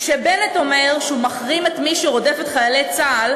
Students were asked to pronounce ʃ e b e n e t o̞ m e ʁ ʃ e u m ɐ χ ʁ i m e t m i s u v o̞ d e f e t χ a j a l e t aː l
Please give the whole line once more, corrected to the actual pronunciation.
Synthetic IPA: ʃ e b e n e t o̞ m e ʁ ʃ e u m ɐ χ ʁ i m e t m i ʃ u ʁ o̞ d e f e t χ a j a l e t͡s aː l